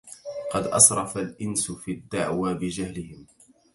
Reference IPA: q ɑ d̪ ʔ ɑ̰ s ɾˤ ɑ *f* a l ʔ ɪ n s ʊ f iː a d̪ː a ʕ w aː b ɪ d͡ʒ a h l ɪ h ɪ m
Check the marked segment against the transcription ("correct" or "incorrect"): correct